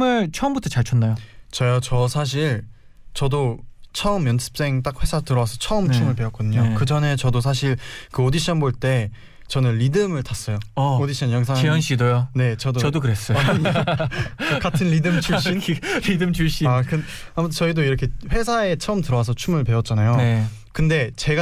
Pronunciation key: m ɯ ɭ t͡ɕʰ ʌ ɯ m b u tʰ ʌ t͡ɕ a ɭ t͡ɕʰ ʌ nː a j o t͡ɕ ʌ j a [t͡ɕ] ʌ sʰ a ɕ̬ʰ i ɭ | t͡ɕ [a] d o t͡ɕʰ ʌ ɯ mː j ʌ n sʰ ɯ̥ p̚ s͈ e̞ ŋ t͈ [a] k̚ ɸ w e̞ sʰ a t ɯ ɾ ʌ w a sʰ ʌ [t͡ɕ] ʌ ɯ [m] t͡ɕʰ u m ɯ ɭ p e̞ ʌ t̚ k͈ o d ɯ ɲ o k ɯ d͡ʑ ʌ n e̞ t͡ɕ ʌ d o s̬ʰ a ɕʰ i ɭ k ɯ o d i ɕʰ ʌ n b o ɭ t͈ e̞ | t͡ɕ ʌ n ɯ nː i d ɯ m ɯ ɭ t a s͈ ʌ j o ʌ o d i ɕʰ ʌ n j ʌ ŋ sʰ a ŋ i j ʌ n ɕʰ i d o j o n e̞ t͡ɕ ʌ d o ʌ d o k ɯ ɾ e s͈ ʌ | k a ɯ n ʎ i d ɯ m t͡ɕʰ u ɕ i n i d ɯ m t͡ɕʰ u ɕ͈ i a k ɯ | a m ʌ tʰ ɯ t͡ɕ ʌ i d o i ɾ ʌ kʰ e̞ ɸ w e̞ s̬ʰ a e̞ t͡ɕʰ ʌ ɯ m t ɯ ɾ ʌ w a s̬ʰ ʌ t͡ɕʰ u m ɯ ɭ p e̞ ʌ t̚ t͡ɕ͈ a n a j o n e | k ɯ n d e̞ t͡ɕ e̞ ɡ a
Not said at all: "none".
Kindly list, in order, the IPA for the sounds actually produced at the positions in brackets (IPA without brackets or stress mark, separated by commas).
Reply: t͡ɕ, ʌ, a, t͡ɕʰ, m